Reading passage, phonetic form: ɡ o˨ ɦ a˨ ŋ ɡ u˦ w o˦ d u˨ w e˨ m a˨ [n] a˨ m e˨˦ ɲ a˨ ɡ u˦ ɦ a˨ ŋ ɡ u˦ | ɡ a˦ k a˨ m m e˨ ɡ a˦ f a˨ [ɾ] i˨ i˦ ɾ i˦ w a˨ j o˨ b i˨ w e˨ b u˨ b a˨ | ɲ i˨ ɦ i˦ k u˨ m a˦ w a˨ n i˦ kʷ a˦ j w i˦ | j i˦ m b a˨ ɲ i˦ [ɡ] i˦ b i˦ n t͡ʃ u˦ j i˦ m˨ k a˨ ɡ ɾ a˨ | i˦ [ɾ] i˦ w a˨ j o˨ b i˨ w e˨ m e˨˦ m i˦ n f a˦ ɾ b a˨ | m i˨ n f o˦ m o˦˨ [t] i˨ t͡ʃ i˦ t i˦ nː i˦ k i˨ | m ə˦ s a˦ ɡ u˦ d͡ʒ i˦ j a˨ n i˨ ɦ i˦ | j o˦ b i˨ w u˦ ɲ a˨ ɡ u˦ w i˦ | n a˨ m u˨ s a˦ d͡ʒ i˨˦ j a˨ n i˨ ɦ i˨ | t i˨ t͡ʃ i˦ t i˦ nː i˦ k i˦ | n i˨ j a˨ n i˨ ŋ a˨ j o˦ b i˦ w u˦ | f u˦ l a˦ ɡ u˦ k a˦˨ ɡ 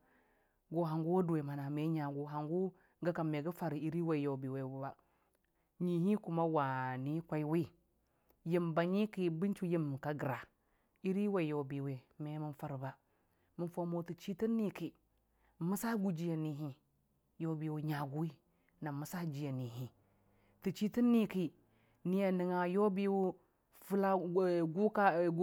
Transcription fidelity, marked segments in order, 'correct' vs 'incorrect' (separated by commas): correct, correct, incorrect, correct, correct